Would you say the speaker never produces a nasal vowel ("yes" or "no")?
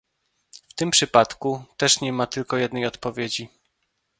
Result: yes